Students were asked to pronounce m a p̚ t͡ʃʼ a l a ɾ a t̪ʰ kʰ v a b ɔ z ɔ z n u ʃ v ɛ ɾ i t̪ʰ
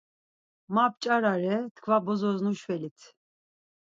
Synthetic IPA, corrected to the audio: m a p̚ t͡ʃʼ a ɾ a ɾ ɛ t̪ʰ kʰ v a b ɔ z ɔ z n u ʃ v ɛ l i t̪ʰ